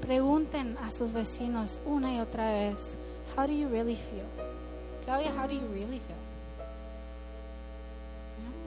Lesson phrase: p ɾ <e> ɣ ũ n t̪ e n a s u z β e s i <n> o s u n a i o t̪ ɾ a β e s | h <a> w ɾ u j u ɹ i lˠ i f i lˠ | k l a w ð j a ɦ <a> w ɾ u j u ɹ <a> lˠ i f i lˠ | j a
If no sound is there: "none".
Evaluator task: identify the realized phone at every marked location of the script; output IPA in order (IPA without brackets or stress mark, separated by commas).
e, n, a, a, i